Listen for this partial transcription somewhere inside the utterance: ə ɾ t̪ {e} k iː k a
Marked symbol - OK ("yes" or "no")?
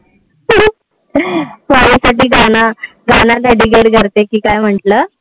yes